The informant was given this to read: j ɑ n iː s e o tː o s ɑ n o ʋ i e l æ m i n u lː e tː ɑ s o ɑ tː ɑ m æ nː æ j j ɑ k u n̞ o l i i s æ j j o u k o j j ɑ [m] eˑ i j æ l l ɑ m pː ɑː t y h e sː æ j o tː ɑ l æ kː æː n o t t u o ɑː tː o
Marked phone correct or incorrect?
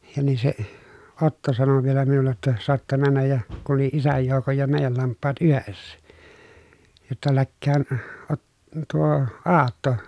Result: correct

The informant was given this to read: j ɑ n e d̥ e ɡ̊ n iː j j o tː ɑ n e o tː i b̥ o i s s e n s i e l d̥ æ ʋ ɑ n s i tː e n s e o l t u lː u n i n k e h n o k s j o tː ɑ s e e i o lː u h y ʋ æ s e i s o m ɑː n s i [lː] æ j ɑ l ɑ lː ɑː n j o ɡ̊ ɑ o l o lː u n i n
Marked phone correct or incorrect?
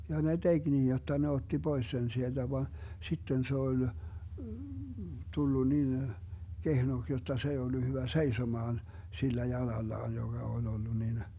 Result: correct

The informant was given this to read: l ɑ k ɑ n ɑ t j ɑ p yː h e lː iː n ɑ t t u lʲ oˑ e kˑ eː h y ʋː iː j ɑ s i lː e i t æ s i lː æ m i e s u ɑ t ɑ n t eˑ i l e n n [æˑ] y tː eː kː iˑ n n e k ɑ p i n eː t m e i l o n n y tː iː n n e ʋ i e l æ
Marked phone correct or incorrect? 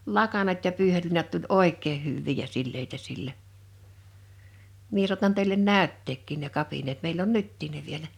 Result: correct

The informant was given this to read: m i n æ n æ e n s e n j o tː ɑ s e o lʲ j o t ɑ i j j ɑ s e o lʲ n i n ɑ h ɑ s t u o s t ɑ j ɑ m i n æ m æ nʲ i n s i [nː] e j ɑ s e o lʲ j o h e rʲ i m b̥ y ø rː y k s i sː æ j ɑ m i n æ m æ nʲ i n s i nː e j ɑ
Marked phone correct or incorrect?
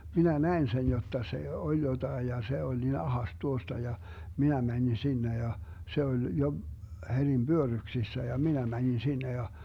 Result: correct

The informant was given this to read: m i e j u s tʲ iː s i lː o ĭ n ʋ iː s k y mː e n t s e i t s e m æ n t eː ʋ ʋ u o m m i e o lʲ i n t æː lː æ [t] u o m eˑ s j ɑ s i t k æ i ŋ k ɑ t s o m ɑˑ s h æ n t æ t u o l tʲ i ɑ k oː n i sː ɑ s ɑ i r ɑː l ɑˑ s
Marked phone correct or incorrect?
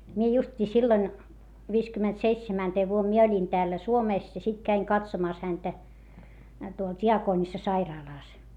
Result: incorrect: s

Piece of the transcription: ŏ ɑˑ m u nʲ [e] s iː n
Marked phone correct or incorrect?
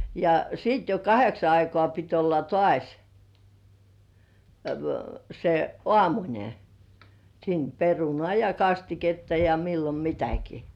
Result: correct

